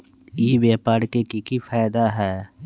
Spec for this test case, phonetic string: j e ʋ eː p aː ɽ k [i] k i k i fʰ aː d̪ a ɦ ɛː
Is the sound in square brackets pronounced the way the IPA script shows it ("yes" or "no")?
no